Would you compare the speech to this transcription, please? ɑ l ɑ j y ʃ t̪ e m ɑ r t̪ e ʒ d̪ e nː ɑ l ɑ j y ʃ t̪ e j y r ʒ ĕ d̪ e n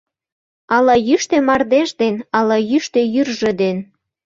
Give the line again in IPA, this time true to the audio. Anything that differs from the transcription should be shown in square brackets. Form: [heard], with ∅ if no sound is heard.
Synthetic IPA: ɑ l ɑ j y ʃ t̪ e m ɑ r [d̪] e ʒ d̪ e [n] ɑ l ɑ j y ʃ t̪ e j y r ʒ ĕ d̪ e n